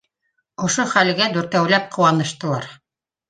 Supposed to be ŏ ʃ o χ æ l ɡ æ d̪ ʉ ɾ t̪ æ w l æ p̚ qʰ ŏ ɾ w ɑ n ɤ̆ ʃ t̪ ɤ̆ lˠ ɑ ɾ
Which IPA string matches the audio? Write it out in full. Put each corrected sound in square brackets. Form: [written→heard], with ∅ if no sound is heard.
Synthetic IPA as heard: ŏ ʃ o χ æ l ɡ æ d̪ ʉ ɾ t̪ æ w l æ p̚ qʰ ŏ [ɾ→∅] w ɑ n ɤ̆ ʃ t̪ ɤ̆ lˠ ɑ ɾ